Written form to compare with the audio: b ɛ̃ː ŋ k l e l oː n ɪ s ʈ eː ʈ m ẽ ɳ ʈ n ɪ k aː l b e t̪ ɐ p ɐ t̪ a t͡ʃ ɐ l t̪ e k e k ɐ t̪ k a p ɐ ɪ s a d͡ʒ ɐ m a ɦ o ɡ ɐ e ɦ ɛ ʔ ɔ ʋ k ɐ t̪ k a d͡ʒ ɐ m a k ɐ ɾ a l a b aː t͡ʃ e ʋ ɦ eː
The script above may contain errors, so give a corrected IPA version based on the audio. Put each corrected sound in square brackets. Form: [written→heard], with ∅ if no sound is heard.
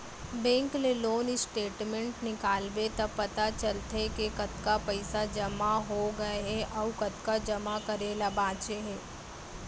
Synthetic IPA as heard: b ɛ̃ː ŋ k l e l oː n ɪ s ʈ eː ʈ m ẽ ɳ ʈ n ɪ k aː l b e t̪ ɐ p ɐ t̪ a t͡ʃ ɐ l t̪ e k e k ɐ t̪ k a p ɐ ɪ s a d͡ʒ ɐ m a ɦ o ɡ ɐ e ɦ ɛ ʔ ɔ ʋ k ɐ t̪ k a d͡ʒ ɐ m a k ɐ ɾ [a→e] l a b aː t͡ʃ e [ʋ→∅] ɦ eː